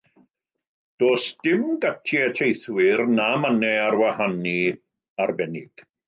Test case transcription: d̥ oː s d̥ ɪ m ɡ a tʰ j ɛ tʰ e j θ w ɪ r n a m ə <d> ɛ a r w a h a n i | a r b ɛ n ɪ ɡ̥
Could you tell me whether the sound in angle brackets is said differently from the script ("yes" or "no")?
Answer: yes